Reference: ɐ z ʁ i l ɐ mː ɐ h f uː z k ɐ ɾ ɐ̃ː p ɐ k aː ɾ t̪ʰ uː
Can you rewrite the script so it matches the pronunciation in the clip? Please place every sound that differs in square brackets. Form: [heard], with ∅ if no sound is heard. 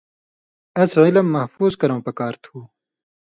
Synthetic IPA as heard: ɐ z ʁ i l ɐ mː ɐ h f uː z k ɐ ɾ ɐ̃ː p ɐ k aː ɾ t̪ʰ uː